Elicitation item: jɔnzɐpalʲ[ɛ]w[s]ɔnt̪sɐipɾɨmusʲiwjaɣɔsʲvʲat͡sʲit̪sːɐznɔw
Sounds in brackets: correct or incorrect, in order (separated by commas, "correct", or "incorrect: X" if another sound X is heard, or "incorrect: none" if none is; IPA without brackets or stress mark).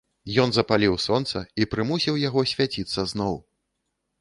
incorrect: i, correct